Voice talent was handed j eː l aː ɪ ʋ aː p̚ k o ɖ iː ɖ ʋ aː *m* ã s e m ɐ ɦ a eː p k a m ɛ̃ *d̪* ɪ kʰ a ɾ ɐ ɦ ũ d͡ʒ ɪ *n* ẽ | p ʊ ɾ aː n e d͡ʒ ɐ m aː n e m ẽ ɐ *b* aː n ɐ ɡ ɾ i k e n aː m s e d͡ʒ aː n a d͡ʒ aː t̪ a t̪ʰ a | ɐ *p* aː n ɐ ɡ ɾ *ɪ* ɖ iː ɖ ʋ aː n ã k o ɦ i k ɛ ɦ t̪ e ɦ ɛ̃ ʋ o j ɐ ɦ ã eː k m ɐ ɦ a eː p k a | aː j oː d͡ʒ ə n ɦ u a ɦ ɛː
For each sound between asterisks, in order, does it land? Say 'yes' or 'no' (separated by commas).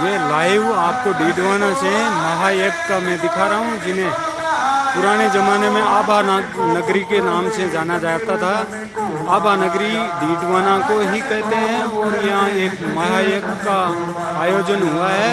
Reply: no, yes, yes, yes, no, no